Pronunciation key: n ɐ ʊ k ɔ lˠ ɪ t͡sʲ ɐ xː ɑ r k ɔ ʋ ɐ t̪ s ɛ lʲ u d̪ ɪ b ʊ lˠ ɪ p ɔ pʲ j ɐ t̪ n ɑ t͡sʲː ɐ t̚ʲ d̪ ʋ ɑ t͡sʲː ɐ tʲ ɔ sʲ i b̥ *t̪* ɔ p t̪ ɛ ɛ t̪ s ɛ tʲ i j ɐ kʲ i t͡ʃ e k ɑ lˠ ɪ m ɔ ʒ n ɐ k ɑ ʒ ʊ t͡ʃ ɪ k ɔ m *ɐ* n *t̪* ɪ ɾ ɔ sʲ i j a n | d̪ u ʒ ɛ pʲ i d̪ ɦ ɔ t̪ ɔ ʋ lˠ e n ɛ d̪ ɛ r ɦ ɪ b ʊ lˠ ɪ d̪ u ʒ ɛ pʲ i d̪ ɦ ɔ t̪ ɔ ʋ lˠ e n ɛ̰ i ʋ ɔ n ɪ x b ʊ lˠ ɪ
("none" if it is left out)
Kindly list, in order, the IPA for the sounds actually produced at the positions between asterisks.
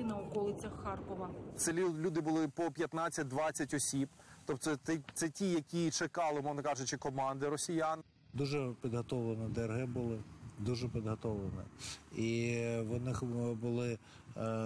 t̪, ɑ, d̪

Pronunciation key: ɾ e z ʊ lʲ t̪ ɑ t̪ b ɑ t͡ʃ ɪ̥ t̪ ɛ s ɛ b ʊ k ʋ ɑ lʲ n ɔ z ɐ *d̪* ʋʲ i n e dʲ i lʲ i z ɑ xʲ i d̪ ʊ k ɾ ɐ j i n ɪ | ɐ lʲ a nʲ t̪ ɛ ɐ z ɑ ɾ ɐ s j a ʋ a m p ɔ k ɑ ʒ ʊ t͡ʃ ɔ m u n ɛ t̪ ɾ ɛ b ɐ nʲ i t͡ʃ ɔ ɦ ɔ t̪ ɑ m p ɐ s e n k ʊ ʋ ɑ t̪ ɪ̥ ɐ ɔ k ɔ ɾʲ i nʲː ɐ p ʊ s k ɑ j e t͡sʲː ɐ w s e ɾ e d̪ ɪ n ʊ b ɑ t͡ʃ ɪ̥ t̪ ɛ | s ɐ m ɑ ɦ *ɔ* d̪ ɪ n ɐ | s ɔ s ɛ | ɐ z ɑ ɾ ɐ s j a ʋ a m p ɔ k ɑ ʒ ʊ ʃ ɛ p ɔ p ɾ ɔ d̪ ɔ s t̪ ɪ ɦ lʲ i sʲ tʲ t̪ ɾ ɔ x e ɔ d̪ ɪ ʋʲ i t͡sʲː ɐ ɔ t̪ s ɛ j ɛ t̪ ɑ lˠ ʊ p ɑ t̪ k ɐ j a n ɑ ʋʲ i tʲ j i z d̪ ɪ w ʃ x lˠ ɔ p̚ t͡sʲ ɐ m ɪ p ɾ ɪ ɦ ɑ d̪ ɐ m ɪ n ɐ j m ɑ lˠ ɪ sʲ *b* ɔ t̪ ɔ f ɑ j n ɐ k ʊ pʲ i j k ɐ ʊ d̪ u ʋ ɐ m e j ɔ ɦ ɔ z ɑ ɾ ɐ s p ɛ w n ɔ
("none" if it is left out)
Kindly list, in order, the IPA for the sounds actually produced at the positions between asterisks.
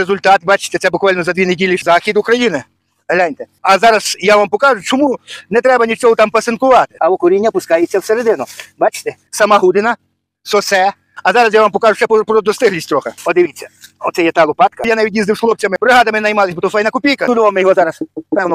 d̪, u, b

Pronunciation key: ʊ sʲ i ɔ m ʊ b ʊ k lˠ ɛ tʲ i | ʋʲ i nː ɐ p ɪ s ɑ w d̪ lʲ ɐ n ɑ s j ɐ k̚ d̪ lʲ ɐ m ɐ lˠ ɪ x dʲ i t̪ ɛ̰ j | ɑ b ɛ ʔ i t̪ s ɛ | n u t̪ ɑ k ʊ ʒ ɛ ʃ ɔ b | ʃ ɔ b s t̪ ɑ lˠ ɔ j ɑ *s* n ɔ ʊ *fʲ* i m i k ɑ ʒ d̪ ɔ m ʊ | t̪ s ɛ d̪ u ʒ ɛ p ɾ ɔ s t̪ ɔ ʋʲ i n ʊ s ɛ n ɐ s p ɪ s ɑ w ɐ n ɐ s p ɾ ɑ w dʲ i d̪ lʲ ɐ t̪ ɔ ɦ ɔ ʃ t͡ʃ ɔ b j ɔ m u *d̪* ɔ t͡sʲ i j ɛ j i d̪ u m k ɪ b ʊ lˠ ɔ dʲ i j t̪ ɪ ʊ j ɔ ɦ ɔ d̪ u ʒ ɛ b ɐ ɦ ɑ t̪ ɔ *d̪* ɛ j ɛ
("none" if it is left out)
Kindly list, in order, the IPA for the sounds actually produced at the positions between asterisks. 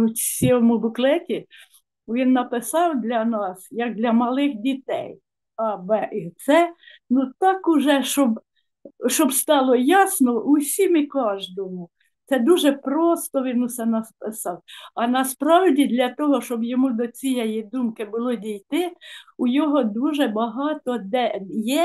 s, sʲ, d̪, d̪

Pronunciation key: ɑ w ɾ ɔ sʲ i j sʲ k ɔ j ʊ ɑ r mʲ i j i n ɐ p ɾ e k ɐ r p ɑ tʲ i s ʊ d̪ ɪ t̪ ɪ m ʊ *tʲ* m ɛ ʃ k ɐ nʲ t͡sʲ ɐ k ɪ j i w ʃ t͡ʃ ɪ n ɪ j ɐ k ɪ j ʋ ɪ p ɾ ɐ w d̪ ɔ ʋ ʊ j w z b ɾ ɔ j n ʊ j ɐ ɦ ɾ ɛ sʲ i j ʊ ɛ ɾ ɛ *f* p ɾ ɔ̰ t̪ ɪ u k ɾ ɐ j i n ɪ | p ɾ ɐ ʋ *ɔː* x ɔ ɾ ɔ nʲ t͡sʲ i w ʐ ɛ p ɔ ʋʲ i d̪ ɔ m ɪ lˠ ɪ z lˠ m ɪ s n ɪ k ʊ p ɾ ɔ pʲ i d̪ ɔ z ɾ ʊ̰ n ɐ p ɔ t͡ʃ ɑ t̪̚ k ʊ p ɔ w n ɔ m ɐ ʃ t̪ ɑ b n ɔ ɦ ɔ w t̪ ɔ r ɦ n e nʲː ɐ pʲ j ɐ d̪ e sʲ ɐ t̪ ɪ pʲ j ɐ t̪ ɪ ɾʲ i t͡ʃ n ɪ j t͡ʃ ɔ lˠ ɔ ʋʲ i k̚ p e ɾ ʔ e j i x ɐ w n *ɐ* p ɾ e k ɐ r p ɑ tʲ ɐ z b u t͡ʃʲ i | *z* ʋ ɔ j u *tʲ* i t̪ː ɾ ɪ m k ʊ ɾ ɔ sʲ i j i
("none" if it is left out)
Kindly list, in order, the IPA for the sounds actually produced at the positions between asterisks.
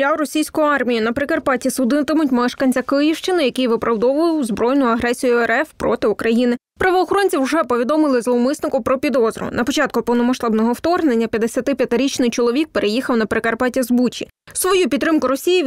tʲ, f, ɔː, ɐ, s, pʲ

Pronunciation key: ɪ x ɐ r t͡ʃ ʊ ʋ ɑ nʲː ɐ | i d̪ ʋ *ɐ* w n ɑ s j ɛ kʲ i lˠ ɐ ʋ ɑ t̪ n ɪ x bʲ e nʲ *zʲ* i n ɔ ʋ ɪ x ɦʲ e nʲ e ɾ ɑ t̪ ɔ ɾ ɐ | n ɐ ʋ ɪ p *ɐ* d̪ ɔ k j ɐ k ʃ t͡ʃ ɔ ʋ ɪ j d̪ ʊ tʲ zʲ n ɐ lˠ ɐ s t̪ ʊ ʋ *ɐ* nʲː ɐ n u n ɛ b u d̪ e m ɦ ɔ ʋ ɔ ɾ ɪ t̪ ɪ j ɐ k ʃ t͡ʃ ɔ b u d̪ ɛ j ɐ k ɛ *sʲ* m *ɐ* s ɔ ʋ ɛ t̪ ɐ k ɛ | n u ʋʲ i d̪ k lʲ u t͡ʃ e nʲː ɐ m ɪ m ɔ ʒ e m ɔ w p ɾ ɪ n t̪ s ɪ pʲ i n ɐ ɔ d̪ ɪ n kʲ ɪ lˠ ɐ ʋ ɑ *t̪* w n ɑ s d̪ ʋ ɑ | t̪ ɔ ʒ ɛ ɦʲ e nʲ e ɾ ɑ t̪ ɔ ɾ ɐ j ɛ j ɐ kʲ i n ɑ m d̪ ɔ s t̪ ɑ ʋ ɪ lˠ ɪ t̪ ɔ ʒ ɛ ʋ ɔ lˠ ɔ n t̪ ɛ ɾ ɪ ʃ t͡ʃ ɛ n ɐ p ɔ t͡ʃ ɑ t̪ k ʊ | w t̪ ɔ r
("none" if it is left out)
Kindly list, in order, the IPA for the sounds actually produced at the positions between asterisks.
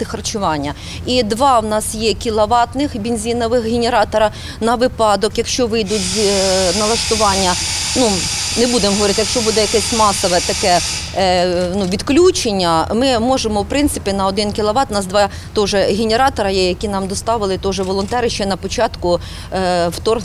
ɑ, zʲ, ɑ, ɑ, sʲ, ɑ, t̪

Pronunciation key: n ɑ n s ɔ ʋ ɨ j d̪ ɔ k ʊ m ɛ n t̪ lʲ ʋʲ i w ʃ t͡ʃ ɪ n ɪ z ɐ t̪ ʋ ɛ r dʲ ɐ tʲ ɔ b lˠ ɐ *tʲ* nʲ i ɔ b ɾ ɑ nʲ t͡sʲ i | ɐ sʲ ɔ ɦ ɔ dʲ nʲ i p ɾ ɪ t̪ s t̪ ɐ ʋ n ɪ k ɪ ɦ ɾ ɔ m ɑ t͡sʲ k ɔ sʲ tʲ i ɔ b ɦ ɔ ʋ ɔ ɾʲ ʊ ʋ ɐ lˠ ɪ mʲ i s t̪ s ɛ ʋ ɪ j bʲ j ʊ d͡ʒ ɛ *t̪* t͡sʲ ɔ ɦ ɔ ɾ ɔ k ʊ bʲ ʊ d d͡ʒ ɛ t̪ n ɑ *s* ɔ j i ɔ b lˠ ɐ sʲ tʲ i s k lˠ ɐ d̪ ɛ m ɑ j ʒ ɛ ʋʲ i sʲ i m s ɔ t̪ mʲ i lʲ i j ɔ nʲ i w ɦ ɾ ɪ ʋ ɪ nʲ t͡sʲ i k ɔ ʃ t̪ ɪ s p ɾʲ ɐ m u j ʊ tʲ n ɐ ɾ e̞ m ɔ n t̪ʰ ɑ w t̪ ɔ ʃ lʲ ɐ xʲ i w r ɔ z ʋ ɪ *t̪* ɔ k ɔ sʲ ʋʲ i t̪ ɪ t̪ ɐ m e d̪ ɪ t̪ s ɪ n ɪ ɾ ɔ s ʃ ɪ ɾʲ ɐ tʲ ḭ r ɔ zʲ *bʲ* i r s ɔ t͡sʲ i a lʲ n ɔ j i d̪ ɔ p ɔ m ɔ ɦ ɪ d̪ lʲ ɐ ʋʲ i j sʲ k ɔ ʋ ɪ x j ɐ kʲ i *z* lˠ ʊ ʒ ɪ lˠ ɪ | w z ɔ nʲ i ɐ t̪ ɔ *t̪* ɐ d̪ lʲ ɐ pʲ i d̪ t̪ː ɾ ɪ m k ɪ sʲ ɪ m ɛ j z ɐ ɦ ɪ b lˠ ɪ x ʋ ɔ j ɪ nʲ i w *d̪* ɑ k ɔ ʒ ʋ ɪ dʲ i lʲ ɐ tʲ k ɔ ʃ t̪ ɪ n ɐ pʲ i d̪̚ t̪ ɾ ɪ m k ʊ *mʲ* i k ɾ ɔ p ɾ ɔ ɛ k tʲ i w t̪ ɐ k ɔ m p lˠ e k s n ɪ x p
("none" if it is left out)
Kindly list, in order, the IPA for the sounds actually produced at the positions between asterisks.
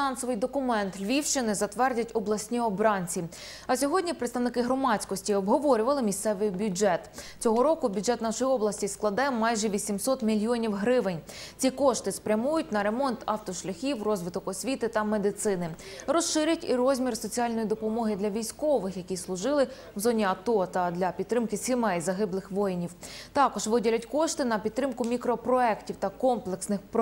sʲ, t̪, ʃ, t̪, mʲ, s, t̪, t̪, mʲ

